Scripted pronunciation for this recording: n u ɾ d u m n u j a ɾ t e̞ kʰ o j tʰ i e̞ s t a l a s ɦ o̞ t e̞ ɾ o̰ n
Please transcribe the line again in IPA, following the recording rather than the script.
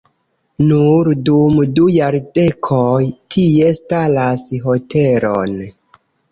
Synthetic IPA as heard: n u ɾ d u m d u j a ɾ d e̞ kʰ o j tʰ i e̞ s t a l a s ɦ o̞ t e̞ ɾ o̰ n